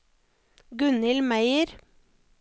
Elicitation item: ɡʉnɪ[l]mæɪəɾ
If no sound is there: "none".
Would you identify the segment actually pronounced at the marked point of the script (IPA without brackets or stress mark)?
l